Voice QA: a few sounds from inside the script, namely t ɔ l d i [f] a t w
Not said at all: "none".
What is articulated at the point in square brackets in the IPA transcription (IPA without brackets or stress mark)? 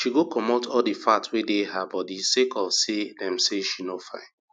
f